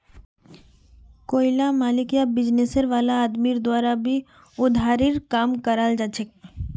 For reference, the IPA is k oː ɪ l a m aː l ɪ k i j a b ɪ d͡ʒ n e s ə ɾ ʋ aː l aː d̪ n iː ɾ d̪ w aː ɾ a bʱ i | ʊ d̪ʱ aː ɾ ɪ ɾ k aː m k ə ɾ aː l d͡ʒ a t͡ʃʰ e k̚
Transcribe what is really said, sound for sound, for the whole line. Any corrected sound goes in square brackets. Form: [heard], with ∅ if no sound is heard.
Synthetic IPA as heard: k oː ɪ l a m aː l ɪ k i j a b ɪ d͡ʒ n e s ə ɾ ʋ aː l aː d̪ [m] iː ɾ d̪ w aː ɾ a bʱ i | ʊ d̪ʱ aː ɾ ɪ ɾ k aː m k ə ɾ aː l d͡ʒ a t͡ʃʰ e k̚